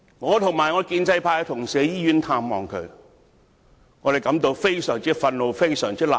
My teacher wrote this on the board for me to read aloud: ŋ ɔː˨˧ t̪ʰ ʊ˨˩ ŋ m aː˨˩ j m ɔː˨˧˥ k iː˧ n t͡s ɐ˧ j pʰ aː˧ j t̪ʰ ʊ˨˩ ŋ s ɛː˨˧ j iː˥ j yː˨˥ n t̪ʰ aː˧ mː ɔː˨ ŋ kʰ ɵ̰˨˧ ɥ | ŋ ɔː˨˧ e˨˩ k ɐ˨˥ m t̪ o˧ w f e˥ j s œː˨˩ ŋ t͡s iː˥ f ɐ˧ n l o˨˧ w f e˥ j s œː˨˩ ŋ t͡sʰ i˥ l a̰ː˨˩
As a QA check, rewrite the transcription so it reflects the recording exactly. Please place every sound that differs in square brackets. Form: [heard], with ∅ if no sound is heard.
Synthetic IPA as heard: ŋ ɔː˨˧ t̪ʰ ʊ˨˩ ŋ m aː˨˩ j [ŋ] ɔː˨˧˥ k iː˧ n t͡s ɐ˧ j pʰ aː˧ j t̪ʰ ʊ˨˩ ŋ s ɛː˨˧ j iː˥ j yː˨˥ n t̪ʰ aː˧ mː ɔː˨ ŋ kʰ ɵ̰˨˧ ɥ | ŋ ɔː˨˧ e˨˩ k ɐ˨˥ m t̪ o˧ w f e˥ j s œː˨˩ ŋ t͡s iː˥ f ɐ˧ n l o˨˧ w f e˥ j s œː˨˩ ŋ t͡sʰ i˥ l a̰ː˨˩